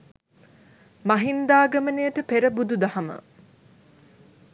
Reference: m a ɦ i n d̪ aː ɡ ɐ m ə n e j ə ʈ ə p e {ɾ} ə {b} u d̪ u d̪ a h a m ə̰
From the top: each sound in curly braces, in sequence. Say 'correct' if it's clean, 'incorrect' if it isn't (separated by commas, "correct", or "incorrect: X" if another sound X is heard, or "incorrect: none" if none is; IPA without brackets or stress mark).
correct, correct